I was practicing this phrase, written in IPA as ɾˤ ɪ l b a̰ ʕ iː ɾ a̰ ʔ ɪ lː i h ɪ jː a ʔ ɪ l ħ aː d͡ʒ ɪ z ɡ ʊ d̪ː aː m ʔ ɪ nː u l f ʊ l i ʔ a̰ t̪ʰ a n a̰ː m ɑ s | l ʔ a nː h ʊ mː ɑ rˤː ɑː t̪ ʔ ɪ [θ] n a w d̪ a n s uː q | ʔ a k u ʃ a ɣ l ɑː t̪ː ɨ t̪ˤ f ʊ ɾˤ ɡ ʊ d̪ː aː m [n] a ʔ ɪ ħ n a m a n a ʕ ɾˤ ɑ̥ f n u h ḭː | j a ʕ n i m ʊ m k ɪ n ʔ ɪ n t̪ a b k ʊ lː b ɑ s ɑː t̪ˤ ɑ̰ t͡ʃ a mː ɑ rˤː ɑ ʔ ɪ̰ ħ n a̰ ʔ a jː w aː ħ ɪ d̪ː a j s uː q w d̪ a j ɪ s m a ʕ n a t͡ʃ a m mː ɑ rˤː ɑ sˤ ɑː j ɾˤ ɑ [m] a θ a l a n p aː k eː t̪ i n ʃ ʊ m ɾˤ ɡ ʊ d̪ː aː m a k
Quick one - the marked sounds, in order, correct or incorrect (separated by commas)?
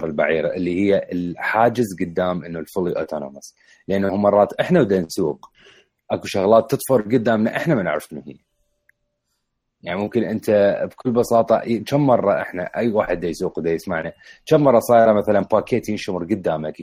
incorrect, correct, correct